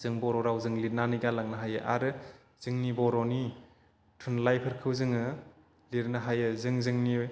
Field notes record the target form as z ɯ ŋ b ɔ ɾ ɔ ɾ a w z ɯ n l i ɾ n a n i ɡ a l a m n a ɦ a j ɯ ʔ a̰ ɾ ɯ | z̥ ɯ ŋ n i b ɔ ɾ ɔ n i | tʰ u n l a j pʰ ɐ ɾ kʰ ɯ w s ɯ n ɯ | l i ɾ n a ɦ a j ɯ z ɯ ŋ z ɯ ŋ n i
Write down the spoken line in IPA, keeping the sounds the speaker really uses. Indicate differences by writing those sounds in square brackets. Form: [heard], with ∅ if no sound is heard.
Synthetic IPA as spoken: z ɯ ŋ b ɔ ɾ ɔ ɾ a w z ɯ [ŋ] l i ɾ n a n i ɡ a l a [ŋ] n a ɦ a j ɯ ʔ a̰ ɾ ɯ | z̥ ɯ ŋ n i b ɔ ɾ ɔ n i | tʰ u n l a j pʰ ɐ ɾ kʰ ɯ w [z] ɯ [ŋ] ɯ | l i ɾ n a ɦ a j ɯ z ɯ ŋ z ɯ ŋ n i